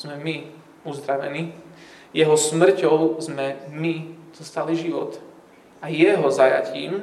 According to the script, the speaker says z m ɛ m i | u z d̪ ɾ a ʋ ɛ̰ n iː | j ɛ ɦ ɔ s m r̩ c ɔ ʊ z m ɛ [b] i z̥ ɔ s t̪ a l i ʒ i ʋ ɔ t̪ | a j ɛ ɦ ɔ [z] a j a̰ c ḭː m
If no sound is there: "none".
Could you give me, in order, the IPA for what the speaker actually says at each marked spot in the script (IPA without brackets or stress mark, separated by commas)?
m, z